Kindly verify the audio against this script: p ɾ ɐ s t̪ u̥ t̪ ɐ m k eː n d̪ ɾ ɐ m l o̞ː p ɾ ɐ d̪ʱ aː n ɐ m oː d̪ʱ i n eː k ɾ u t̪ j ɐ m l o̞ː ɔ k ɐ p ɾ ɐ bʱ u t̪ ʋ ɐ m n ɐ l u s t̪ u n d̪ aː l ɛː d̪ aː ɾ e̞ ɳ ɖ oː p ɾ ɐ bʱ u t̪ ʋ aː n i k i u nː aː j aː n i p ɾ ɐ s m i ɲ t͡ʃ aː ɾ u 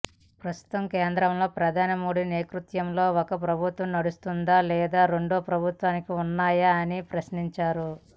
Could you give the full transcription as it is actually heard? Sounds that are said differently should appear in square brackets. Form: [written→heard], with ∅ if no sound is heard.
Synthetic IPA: p ɾ ɐ s t̪ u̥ t̪ ɐ m k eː n d̪ ɾ ɐ m l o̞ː p ɾ ɐ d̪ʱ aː n ɐ m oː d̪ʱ i n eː k ɾ u t̪ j ɐ m l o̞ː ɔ k ɐ p ɾ ɐ bʱ u t̪ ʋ ɐ m n ɐ [l→ɽ] u s t̪ u n d̪ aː l ɛː d̪ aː ɾ e̞ ɳ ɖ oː p ɾ ɐ bʱ u t̪ ʋ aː n i k i u nː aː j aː n i p ɾ ɐ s [m→n] i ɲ t͡ʃ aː ɾ u

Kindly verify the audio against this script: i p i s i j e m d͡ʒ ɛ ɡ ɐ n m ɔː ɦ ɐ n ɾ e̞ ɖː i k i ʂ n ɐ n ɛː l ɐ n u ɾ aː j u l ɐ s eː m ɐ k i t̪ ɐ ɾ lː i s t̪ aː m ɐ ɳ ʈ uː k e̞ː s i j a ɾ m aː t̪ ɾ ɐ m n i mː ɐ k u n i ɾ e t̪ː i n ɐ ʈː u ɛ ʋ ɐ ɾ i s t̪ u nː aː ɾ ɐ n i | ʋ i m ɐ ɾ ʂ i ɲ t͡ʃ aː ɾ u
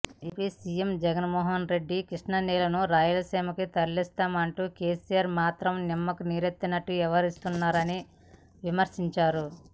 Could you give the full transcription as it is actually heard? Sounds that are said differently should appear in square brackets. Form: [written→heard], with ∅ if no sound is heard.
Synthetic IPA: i p i s i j e m d͡ʒ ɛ ɡ ɐ n m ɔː ɦ ɐ n ɾ e̞ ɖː i k i ʂ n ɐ n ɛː l ɐ n u ɾ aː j u l ɐ s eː m ɐ k i t̪ ɐ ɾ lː i s t̪ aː m ɐ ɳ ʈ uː k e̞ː s i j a ɾ m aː t̪ ɾ ɐ m n i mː ɐ k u n i ɾ e t̪ː i n ɐ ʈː u ɛ ʋ ɐ ɾ i s t̪ u nː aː ɾ ɐ n i | ʋ i m ɐ ɾ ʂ i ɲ t͡ʃ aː ɾ u

